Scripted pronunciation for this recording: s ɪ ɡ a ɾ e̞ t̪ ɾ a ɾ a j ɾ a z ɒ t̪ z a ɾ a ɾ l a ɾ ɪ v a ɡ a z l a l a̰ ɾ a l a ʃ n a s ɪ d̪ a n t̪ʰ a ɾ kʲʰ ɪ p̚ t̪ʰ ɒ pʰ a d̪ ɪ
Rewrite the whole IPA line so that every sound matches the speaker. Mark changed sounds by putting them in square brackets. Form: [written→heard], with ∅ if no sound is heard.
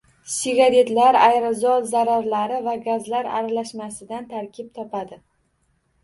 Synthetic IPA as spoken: s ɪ ɡ a ɾ e̞ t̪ [ɾ→l] a ɾ a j ɾ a z ɒ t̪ z a ɾ a ɾ l a ɾ ɪ v a ɡ a z l a [l→ɾ] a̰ ɾ a l a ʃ [n→m] a s ɪ d̪ a n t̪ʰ a ɾ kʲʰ ɪ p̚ t̪ʰ ɒ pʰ a d̪ ɪ